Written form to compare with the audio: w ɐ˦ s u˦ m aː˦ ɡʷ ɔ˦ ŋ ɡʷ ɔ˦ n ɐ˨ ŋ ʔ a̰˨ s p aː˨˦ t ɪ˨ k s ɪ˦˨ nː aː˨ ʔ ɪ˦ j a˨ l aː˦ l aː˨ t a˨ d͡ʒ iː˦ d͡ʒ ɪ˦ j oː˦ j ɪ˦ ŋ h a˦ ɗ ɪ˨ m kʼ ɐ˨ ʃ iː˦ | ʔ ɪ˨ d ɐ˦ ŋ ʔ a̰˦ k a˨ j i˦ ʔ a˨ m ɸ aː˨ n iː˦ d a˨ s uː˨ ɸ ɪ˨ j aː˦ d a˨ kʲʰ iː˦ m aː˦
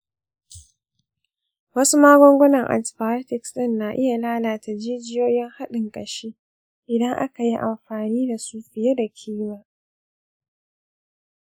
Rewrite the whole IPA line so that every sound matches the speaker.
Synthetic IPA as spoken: w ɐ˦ s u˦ m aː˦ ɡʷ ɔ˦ ŋ ɡʷ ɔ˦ n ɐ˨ ŋ ʔ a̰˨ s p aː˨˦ t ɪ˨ k s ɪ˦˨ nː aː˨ ʔ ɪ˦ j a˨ l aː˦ l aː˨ t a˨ d͡ʒ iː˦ d͡ʒ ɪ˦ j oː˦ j ɪ˦ ŋ h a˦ ɗ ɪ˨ ŋ kʼ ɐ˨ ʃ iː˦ | ʔ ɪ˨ d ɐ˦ ŋ ʔ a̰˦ k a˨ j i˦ ʔ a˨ m ɸ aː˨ n iː˦ d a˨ s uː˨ ɸ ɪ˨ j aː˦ d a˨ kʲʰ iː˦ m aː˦